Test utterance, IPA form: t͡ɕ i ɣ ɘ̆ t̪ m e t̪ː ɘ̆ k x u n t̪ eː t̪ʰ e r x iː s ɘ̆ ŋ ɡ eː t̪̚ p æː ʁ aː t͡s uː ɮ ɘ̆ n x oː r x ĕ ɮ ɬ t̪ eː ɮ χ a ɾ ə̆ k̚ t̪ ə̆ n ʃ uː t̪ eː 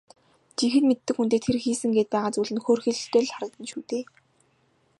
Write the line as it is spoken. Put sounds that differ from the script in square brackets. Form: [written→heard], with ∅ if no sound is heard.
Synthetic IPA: t͡ɕ i [ɣ→x] ɘ̆ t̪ m e t̪ː ɘ̆ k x u n t̪ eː t̪ʰ e r x iː s ɘ̆ ŋ ɡ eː t̪̚ p æː ʁ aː t͡s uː ɮ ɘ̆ n x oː r x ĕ ɮ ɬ t̪ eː ɮ χ a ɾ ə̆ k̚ t̪ ə̆ n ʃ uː t̪ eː